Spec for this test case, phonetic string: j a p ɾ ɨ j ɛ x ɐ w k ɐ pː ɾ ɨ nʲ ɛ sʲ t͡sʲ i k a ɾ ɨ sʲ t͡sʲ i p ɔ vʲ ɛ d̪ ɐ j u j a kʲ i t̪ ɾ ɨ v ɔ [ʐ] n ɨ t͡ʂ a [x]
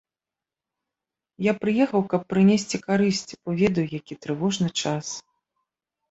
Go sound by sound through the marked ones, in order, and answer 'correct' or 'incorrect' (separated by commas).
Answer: correct, incorrect